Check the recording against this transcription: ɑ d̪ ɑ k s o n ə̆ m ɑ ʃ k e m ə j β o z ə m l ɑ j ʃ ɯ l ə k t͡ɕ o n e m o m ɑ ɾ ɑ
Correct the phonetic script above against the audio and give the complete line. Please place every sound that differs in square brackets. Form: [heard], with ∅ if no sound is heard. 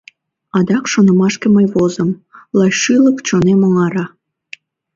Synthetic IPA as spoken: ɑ d̪ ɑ k [ʃ] o n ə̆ m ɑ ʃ k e m ə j β o z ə m l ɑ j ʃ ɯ l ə k t͡ɕ o n e m o [ŋ] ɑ ɾ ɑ